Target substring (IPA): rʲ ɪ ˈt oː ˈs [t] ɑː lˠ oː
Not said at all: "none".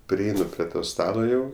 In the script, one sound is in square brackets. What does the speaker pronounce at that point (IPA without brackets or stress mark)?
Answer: t